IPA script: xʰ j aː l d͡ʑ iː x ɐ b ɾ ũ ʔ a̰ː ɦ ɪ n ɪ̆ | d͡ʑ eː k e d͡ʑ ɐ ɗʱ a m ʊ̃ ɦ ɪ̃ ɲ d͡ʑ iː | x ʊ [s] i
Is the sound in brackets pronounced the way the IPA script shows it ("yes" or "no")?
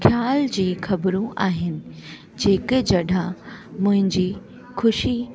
no